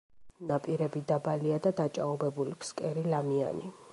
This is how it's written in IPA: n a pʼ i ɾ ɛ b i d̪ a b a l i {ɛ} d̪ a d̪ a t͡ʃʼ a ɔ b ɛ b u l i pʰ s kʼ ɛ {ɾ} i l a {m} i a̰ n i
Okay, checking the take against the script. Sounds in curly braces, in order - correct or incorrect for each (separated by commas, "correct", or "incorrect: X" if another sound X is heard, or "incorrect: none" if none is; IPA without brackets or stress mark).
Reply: incorrect: a, correct, correct